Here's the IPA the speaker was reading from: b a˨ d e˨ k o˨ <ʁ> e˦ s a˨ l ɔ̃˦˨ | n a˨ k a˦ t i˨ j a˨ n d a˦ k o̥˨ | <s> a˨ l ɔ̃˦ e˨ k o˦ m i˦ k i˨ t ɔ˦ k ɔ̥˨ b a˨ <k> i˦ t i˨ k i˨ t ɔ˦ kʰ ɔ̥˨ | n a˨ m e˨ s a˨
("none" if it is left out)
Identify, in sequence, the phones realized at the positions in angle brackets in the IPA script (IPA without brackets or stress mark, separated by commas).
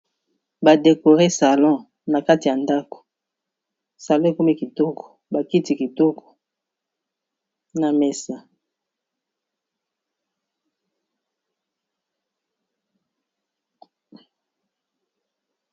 ʁ, s, k